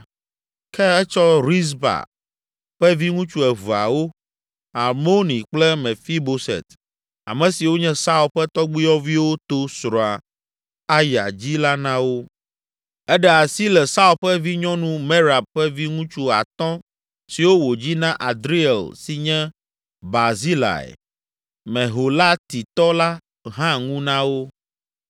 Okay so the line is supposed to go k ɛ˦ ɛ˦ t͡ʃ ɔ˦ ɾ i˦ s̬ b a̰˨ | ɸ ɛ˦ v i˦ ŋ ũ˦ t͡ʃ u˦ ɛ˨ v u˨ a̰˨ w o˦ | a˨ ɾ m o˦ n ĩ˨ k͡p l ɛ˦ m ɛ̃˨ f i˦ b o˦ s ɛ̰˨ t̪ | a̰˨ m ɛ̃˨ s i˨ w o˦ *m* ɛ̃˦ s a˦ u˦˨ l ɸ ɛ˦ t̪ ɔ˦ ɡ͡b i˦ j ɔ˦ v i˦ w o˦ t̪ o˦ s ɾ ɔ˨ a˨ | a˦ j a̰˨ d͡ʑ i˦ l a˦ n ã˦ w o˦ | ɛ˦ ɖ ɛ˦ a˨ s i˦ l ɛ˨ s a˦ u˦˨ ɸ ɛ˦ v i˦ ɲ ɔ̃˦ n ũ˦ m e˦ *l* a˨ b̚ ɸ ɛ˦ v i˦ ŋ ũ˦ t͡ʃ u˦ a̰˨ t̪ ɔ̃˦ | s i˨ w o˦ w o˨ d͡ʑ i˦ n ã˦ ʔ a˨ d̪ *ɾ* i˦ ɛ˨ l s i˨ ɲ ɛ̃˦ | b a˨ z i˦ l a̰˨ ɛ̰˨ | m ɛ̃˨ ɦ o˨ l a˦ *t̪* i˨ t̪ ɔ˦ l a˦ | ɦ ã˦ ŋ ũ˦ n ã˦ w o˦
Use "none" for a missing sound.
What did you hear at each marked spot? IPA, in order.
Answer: ɲ, ɾ, ɾ, t̪

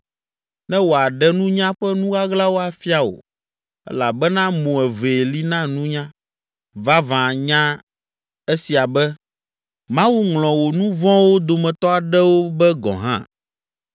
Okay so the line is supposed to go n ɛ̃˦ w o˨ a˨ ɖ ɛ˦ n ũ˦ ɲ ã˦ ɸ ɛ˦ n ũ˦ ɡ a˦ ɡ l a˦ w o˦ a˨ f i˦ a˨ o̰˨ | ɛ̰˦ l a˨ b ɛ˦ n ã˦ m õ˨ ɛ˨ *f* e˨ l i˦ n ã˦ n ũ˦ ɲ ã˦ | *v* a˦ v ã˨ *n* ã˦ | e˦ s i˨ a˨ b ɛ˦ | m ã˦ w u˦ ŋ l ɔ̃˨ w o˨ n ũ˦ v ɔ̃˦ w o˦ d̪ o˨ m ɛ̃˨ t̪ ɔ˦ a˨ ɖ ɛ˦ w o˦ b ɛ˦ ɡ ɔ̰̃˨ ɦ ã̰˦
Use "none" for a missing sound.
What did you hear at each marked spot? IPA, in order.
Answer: v, v, ɲ

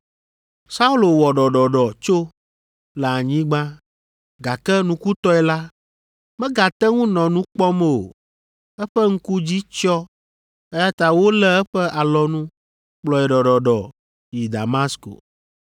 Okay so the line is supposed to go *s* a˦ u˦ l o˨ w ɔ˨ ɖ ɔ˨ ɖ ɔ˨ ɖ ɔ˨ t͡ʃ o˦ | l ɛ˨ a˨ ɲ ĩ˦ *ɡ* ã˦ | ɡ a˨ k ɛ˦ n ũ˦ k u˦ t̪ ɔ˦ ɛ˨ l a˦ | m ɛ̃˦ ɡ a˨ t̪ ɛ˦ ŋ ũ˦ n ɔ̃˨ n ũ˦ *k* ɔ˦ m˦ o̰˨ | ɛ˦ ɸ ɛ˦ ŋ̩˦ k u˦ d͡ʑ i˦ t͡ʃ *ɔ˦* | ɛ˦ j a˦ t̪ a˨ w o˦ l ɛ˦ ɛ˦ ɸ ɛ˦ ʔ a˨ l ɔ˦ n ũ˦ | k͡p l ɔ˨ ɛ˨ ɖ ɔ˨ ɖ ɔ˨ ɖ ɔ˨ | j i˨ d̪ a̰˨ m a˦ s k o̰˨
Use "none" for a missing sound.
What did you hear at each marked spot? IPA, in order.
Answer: s, ɡ͡b, k͡p, ɔ˦

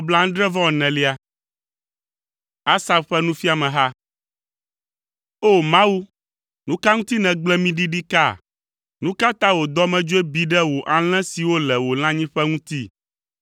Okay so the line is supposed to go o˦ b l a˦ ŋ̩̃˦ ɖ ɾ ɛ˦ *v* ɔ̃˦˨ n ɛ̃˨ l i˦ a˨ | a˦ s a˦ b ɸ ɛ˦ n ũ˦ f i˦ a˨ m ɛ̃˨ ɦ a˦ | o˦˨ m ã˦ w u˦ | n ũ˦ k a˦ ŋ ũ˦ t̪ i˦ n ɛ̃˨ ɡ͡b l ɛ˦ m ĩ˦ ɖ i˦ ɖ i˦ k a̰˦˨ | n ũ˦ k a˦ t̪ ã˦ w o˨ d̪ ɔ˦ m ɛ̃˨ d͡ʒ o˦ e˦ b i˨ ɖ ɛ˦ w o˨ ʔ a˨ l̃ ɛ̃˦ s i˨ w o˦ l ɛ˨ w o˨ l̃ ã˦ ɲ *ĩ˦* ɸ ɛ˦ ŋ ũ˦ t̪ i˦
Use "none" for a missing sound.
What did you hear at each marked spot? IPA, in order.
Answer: v, ĩ˦

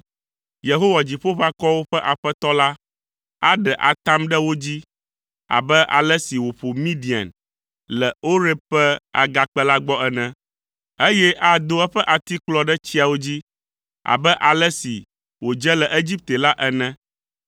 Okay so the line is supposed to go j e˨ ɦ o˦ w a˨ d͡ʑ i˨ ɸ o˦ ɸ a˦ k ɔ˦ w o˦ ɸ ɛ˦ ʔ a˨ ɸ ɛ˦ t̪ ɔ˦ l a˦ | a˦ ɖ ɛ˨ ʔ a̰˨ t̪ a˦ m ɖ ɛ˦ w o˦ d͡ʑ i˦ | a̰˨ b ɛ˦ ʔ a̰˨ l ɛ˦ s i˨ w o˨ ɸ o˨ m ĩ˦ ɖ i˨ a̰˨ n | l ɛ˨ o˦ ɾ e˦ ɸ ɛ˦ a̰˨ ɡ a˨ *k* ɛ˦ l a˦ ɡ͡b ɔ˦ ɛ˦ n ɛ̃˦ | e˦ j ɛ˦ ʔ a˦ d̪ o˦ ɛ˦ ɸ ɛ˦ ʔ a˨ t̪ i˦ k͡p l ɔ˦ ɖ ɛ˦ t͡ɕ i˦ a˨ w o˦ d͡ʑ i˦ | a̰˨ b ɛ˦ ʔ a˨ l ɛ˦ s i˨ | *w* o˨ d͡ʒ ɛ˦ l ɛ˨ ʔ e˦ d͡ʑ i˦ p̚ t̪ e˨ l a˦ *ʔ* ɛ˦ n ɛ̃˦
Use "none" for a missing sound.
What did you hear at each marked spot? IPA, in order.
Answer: k͡p, w, ʔ

